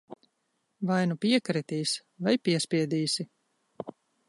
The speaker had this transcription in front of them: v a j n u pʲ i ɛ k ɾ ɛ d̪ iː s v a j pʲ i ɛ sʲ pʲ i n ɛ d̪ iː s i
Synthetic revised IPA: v a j n u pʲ i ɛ k ɾ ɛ t̪ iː s v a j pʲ i ɛ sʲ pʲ i ɛ d̪ iː s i